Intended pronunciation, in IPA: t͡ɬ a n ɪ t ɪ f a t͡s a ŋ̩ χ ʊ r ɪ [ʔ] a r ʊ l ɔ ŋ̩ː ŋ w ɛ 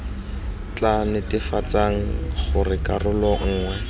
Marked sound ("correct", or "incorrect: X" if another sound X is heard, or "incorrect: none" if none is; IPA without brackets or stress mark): incorrect: k